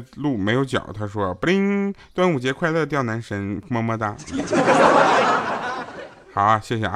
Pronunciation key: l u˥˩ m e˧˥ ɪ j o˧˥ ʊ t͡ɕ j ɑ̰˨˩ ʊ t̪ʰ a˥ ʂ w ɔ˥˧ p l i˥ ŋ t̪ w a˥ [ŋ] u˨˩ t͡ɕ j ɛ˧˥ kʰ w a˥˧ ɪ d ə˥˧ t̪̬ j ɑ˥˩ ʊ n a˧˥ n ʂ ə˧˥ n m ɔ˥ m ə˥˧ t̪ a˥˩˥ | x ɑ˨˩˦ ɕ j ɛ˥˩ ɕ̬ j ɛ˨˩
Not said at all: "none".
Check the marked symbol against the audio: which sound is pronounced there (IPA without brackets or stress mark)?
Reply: n